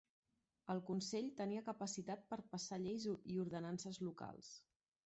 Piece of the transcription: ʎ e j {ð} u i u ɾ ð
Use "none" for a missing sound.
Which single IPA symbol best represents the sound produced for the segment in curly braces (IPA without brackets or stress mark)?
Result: z